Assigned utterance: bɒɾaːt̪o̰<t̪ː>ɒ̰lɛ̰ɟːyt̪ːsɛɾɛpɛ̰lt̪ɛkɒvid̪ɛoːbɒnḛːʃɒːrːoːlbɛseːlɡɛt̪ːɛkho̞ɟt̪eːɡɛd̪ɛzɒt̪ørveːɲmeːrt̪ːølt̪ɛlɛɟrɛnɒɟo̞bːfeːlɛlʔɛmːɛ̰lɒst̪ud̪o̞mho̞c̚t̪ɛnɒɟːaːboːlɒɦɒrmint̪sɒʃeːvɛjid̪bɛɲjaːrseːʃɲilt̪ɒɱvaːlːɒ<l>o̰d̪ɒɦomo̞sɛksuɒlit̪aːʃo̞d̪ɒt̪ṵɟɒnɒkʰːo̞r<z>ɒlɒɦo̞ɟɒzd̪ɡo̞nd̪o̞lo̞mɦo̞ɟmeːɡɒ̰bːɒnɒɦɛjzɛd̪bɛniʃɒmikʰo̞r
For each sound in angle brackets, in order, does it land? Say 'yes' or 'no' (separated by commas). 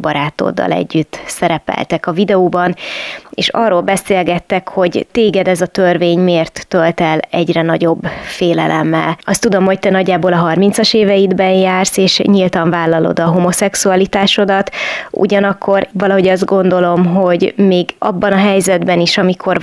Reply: no, yes, no